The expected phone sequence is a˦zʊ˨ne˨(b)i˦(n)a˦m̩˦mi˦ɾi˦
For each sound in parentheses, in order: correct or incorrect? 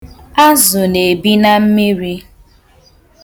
correct, correct

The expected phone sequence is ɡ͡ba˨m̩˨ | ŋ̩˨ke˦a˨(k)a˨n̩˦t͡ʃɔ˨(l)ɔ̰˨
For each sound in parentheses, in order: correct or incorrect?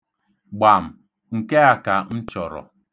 correct, incorrect

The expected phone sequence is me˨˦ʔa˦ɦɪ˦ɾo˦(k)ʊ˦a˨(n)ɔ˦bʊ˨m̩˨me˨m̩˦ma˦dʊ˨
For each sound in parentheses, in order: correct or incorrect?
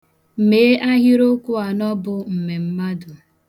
correct, correct

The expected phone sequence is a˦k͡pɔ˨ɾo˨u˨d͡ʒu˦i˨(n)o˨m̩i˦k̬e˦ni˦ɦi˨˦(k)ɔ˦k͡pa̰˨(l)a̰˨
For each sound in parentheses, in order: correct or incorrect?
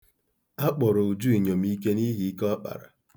incorrect, correct, incorrect

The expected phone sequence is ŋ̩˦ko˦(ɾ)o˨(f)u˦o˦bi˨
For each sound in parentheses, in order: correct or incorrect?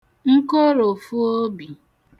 correct, correct

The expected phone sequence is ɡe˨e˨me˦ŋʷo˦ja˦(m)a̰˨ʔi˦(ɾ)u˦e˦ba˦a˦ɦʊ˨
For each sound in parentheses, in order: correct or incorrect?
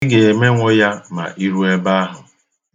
correct, correct

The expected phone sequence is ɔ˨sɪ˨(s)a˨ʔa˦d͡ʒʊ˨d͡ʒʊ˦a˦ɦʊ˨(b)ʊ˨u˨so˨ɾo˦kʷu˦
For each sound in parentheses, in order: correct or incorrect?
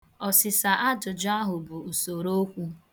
correct, correct

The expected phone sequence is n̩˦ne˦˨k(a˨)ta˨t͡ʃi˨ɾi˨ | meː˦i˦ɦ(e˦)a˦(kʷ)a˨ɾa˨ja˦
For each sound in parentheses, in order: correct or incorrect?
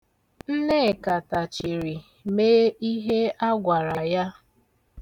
correct, correct, incorrect

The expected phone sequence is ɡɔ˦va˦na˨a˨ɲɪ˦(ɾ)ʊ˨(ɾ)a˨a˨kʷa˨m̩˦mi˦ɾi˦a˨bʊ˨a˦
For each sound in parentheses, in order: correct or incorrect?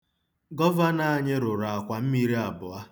correct, correct

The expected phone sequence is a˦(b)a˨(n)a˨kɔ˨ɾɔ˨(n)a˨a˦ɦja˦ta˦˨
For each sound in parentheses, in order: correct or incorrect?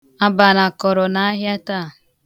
correct, correct, correct

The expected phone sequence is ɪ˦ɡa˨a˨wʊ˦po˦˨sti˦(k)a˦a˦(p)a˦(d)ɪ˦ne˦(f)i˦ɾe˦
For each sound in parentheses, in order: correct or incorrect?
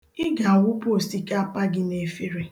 correct, correct, incorrect, correct

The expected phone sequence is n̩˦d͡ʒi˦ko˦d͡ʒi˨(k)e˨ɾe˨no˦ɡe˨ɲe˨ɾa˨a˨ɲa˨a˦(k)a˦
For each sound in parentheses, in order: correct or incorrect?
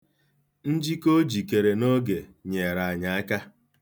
correct, correct

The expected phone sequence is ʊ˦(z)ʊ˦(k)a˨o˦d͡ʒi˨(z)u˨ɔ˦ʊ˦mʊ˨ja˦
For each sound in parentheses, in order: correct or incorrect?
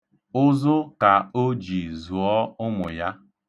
correct, correct, correct

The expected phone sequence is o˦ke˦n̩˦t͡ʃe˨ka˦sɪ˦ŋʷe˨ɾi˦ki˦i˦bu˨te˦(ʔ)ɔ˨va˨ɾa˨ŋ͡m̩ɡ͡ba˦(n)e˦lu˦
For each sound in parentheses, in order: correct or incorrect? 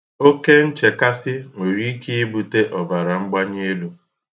correct, incorrect

